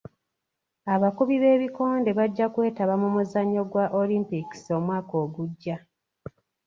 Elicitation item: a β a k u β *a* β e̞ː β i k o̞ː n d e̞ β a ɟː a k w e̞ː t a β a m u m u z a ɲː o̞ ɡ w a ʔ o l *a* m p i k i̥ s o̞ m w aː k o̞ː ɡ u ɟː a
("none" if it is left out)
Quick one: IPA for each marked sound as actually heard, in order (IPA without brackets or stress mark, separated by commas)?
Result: i, i